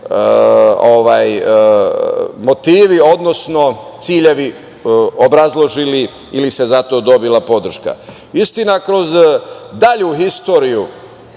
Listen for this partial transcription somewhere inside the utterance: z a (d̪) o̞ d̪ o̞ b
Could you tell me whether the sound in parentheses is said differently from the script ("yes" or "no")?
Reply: yes